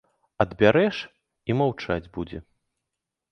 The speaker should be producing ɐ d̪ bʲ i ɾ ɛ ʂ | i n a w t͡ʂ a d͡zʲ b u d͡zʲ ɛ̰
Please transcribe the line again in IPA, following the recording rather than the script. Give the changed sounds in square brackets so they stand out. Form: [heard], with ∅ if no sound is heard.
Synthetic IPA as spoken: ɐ d̪ bʲ [a] ɾ ɛ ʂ | i [m] a w t͡ʂ a d͡zʲ b u d͡zʲ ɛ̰